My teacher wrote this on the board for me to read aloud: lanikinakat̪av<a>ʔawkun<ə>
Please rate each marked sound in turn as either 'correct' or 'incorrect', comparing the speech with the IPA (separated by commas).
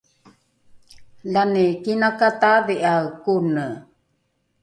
incorrect, correct